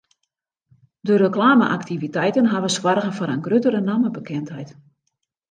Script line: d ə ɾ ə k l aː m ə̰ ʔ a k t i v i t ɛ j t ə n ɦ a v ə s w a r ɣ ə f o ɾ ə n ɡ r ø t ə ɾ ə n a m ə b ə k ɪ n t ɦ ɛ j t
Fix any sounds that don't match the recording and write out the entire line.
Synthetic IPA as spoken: d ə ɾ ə k l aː m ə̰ ʔ a k t i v i t ɛ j t ə n ɦ a ʋ ə s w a r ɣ ə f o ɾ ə n ɡ r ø t ə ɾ ə n a m ə b ə k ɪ n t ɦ ɛ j t